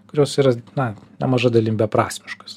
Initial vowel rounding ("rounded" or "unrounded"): rounded